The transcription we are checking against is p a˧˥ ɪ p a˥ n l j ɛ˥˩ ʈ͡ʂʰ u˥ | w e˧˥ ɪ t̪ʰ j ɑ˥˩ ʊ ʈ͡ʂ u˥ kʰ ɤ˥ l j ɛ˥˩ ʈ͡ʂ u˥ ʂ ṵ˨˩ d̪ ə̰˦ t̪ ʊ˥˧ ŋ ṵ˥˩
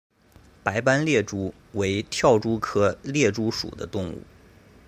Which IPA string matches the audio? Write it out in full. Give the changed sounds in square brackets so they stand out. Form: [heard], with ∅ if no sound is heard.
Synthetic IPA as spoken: p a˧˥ ɪ p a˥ n l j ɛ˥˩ [ʈ͡ʂ] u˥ | w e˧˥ ɪ t̪ʰ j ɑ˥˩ ʊ ʈ͡ʂ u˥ kʰ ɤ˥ l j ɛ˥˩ ʈ͡ʂ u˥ ʂ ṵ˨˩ d̪ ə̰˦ t̪ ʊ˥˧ ŋ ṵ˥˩